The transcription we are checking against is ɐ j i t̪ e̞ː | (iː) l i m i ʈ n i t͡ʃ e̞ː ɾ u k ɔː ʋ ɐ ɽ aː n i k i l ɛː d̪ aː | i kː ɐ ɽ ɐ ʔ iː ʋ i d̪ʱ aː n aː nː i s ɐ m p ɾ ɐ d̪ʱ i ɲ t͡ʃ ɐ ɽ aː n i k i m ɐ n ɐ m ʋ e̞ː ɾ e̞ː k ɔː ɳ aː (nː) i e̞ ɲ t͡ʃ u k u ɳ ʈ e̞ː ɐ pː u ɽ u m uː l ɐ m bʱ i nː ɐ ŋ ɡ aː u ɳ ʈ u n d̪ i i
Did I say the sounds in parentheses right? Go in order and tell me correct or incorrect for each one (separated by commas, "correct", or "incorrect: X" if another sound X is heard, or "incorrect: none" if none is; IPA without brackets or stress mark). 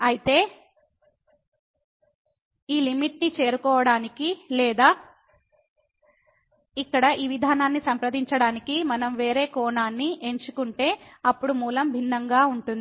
correct, correct